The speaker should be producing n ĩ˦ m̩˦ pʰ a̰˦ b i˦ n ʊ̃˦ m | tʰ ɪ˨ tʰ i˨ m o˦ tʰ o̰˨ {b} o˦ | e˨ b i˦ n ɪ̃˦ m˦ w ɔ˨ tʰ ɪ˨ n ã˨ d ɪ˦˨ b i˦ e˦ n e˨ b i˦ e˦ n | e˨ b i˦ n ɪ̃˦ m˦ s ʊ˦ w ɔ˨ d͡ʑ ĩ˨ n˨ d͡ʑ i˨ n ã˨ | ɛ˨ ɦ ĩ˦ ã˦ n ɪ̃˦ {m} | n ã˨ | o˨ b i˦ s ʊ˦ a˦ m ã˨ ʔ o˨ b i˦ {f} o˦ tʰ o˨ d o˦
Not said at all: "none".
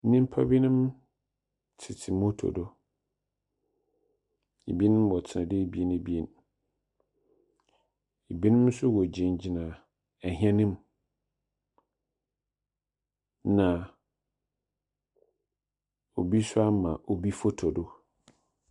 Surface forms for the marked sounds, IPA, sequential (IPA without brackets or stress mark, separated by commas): d, m, f